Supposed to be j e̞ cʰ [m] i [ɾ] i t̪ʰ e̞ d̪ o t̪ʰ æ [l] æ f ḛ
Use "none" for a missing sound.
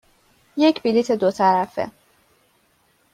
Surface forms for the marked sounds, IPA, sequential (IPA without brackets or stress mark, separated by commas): b, l, ɾ